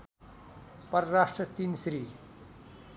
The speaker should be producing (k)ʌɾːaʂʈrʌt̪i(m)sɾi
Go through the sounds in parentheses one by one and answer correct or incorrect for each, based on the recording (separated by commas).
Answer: incorrect, incorrect